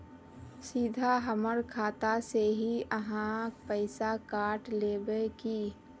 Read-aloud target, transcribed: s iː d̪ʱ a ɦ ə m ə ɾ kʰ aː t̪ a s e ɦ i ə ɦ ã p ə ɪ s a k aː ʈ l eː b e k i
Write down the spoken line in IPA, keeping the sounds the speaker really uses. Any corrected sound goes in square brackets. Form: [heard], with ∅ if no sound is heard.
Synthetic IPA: s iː d̪ʱ a ɦ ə m ə ɾ kʰ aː t̪ a s e ɦ i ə ɦ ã p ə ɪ s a k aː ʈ l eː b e k i